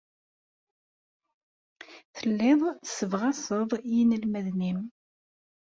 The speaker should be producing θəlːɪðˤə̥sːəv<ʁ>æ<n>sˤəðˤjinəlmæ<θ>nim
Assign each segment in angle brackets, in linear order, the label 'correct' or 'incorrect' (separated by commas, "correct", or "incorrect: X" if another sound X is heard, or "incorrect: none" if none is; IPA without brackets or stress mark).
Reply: correct, incorrect: none, incorrect: ð